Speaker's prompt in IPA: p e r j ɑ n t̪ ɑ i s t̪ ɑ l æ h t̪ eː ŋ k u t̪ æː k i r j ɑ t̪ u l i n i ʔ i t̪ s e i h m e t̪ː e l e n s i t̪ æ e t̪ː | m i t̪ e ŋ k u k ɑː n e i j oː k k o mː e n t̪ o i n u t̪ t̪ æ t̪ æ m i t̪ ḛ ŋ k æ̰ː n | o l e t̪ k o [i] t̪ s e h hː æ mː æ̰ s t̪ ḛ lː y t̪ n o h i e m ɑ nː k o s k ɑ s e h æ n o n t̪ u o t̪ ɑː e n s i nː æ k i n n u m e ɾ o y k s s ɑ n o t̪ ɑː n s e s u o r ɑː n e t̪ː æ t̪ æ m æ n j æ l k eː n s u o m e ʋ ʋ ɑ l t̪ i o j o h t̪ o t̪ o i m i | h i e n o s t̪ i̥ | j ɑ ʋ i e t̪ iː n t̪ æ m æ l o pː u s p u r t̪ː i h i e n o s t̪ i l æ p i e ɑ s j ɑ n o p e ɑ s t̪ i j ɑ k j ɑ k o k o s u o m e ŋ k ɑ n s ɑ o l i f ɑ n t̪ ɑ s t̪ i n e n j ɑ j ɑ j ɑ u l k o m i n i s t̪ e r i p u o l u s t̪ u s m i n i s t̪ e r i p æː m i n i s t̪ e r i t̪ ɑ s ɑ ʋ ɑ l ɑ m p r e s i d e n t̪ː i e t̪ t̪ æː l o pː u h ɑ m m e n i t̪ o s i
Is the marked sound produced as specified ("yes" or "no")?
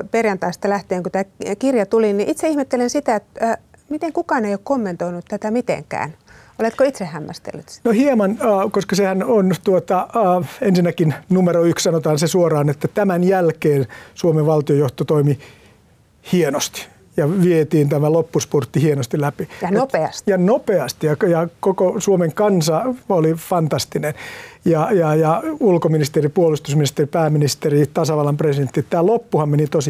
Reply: yes